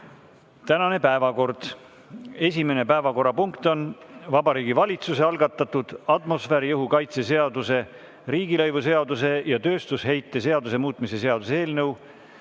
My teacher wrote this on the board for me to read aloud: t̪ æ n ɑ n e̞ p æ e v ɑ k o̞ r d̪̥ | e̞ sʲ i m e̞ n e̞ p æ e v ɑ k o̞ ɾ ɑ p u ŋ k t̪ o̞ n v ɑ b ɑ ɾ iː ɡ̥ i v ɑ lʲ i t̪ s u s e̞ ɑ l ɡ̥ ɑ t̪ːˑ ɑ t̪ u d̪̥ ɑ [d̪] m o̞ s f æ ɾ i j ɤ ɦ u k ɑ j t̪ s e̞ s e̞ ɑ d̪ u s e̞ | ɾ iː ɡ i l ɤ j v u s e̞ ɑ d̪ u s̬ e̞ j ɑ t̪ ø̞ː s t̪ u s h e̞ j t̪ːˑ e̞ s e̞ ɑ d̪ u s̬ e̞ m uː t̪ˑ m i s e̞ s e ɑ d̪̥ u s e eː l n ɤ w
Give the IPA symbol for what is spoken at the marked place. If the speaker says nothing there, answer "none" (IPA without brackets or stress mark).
t̪